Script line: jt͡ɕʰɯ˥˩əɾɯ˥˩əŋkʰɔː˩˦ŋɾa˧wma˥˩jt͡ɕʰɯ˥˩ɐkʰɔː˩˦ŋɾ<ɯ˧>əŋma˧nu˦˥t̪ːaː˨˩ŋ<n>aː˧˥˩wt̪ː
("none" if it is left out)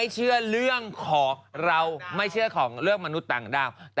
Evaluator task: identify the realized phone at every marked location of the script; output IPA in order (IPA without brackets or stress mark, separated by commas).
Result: ɯ˥˩, d